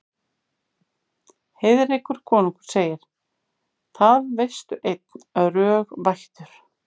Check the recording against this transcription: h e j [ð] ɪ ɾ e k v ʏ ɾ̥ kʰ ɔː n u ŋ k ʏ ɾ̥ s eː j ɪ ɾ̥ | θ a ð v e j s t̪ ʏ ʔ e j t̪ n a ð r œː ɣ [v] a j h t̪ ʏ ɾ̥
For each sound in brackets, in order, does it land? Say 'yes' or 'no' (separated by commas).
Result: yes, yes